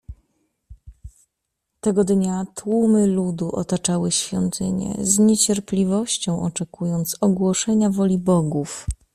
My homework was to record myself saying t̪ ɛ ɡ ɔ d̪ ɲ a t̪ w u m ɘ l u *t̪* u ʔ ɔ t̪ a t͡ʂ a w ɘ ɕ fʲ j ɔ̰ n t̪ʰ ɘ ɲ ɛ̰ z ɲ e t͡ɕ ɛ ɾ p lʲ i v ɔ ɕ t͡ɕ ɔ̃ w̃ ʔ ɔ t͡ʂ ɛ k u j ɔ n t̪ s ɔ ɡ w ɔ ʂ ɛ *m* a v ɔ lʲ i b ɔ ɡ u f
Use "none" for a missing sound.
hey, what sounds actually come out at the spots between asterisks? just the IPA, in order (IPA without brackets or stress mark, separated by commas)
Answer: d̪, ɲ